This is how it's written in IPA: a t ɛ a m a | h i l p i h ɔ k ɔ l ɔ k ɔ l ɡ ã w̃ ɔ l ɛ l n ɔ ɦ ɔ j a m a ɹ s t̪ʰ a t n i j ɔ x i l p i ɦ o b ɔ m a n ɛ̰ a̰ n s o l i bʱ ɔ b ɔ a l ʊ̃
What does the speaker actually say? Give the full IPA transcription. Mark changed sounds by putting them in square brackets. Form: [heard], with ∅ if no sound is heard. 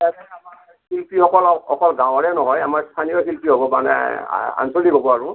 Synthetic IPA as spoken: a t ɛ a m a | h i l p i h ɔ k ɔ l ɔ k ɔ l ɡ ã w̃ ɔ [ɹ] ɛ [∅] n ɔ ɦ ɔ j a m a ɹ s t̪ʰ a [∅] n i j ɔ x i l p i ɦ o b ɔ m a n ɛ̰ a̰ n s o l i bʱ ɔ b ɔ a [ɹ] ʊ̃